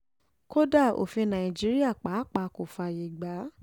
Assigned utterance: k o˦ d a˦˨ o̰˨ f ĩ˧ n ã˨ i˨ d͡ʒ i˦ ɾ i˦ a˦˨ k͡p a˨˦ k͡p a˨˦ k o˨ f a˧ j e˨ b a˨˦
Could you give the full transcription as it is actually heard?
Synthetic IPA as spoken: k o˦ d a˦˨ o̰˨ f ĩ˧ n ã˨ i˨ d͡ʒ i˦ ɾ i˦ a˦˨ k͡p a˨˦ k͡p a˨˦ k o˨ f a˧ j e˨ ɡ͡b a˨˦